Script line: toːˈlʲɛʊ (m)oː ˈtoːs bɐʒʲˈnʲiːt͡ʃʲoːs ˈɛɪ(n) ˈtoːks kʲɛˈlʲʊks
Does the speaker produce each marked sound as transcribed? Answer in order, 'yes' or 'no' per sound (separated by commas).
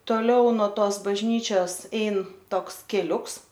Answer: no, yes